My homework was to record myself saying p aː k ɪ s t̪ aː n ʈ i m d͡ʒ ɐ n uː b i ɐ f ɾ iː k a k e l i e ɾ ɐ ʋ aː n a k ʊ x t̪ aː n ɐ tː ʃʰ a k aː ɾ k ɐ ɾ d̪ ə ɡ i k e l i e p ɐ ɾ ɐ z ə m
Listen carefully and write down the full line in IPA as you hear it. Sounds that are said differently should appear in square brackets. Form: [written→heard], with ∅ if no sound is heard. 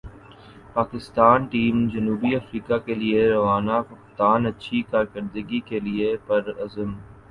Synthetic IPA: p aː k ɪ s t̪ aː n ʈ [i→iː] m d͡ʒ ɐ n uː b i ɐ f ɾ iː k a k e l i e ɾ ɐ ʋ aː n a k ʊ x t̪ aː n ɐ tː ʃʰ [a→i] k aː ɾ k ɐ ɾ d̪ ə ɡ i k e l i e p ɐ ɾ ɐ z ə m